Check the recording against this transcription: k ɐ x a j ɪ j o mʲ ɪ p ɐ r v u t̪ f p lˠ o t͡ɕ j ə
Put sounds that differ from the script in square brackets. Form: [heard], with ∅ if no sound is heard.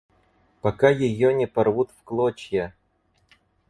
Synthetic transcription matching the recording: [p] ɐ [k] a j ɪ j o [nʲ] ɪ p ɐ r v u t̪ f [k] lˠ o t͡ɕ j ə